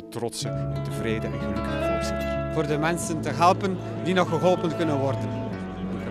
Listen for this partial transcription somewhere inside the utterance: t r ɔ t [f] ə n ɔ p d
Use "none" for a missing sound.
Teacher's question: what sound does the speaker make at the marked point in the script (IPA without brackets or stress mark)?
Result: s